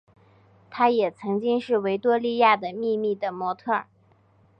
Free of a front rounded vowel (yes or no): yes